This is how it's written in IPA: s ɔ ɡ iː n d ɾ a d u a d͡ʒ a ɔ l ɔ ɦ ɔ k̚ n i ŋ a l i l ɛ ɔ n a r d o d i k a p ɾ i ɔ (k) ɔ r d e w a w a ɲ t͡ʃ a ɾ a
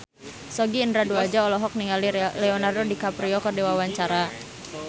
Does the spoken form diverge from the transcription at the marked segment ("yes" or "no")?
no